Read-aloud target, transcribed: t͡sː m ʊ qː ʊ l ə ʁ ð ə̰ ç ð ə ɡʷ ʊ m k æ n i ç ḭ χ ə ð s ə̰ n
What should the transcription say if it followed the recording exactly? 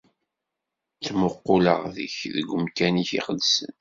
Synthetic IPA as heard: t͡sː m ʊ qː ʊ l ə ʁ ð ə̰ ç ð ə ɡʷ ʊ m k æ n i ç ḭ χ ə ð s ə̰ n